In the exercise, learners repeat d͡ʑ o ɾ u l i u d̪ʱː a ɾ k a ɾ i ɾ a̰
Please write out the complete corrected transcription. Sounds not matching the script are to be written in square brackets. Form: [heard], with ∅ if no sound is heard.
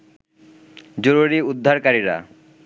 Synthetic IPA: d͡ʑ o ɾ u [ɾ] i u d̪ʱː a ɾ k a ɾ i ɾ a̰